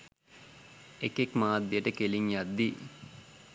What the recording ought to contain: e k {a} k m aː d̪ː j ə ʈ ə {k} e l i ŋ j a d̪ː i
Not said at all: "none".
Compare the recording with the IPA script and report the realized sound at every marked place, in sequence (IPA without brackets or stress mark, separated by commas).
e, k